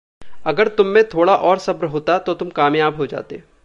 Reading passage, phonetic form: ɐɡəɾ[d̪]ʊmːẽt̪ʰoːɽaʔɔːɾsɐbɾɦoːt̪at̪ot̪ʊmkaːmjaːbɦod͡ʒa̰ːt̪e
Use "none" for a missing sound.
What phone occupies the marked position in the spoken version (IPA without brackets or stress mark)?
t̪